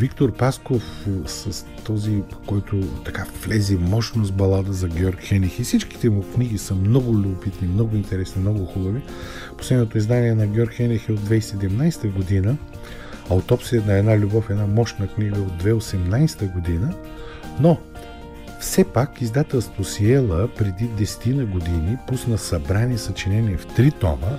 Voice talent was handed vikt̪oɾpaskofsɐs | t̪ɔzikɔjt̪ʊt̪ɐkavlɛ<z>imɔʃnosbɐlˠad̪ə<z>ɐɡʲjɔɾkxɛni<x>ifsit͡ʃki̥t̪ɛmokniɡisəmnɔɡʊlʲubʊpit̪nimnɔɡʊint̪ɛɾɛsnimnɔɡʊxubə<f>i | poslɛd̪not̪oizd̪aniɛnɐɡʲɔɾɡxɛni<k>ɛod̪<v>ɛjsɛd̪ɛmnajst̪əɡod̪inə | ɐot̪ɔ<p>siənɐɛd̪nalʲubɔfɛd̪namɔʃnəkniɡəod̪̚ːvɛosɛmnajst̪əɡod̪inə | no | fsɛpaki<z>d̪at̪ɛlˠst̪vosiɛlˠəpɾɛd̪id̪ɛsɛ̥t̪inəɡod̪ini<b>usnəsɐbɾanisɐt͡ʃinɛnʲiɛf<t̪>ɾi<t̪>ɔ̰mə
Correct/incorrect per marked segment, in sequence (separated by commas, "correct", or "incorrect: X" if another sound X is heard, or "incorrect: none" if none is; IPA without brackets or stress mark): correct, correct, correct, incorrect: v, incorrect: x, correct, correct, correct, incorrect: p, correct, correct